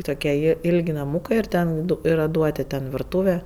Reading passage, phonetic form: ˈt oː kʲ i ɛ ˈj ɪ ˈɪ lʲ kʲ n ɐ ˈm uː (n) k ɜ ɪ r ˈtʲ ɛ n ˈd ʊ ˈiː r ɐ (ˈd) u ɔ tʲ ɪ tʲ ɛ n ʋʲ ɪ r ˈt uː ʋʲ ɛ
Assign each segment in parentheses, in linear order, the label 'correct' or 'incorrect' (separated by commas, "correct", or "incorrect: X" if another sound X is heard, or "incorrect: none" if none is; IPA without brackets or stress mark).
incorrect: none, correct